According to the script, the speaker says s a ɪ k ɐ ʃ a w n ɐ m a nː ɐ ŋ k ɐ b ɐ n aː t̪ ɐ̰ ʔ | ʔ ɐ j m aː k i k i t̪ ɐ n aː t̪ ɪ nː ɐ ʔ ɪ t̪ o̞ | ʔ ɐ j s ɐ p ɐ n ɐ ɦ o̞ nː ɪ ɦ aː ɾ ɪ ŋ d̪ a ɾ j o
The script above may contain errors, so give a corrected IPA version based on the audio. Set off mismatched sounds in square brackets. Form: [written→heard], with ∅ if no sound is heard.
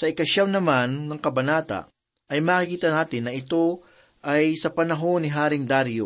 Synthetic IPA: s [a→ɐ] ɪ k ɐ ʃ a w n ɐ m a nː ɐ ŋ k ɐ b ɐ n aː t̪ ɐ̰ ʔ | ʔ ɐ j m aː k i k [i→iː] t̪ ɐ n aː t̪ ɪ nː ɐ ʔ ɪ t̪ o̞ | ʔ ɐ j s ɐ p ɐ n ɐ ɦ o̞ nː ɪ ɦ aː ɾ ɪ ŋ d̪ a ɾ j o